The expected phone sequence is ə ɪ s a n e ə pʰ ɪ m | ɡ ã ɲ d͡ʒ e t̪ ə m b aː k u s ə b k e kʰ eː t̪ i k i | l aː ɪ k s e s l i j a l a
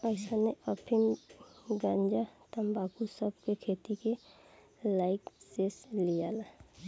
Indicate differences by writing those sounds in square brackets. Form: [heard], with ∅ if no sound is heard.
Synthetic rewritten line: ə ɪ s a n e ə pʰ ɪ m | ɡ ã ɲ d͡ʒ [a] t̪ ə m b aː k u s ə b k e kʰ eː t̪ i k [e] | l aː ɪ k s e s l i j a l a